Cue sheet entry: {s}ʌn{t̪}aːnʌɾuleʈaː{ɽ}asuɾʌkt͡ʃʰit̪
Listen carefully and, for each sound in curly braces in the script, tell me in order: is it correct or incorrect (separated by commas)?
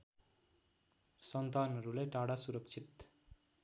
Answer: correct, correct, correct